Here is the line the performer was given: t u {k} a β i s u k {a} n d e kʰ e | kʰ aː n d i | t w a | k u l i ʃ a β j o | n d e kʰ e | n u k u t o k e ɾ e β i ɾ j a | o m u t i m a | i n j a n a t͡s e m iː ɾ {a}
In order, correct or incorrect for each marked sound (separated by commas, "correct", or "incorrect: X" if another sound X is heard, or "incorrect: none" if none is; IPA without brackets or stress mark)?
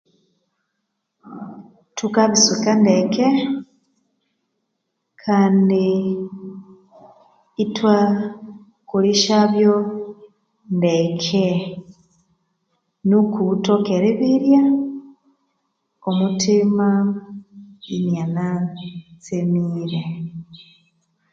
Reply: correct, correct, incorrect: e